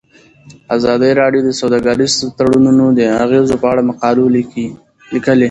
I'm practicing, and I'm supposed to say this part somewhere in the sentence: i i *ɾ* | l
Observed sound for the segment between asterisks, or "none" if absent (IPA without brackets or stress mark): none